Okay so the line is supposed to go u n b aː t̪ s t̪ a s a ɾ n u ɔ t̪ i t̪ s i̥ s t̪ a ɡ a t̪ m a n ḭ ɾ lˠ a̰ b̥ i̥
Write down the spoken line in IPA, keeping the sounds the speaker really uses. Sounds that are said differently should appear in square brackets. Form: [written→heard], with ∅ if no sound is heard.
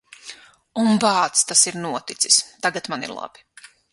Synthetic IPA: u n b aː t̪ s t̪ a s [a→i] ɾ n u ɔ t̪ i t̪ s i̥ s t̪ a ɡ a t̪ m a n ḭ ɾ lˠ a̰ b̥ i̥